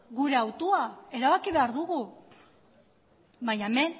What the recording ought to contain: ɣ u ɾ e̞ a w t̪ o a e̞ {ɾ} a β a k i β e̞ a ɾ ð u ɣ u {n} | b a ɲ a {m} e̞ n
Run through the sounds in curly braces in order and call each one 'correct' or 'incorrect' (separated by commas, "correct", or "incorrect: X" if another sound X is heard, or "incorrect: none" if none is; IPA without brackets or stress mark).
correct, incorrect: none, correct